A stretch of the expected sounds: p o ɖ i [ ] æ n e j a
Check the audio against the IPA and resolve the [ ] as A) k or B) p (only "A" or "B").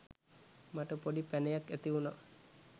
B